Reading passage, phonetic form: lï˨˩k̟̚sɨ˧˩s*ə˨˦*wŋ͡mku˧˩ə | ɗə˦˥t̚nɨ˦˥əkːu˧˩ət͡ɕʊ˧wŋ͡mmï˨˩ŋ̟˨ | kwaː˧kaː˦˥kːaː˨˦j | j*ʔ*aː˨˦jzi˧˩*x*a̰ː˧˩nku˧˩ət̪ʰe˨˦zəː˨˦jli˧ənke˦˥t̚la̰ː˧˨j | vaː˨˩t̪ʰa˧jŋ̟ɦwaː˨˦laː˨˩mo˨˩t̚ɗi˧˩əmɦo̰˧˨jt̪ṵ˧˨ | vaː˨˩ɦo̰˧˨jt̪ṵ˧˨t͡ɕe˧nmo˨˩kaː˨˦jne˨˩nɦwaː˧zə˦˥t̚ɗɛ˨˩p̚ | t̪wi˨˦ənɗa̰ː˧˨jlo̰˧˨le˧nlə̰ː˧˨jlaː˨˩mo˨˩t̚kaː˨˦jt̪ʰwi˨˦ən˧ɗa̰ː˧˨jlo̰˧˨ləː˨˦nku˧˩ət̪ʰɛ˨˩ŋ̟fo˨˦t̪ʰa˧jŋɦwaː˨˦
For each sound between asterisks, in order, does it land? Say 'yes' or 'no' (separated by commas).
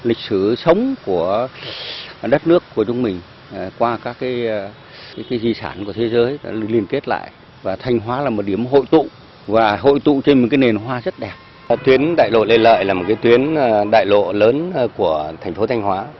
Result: yes, no, no